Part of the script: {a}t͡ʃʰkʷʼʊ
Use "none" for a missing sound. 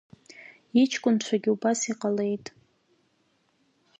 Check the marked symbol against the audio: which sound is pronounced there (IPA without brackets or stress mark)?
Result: i